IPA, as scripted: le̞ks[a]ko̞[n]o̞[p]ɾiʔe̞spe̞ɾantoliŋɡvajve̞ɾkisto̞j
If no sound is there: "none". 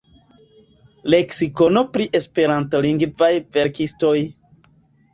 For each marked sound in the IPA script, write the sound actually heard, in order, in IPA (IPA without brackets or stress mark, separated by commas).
i, n, p